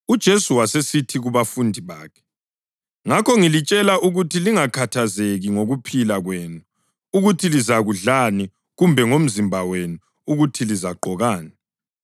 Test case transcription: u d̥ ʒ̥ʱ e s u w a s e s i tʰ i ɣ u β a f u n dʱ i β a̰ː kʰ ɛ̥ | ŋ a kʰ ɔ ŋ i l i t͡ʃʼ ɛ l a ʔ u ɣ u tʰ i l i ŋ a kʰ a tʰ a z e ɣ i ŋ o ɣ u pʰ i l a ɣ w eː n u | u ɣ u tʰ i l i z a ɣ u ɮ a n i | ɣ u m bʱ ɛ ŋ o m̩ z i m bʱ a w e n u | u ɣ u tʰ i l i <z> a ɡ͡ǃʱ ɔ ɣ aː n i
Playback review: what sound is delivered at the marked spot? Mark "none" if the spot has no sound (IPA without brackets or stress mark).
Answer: z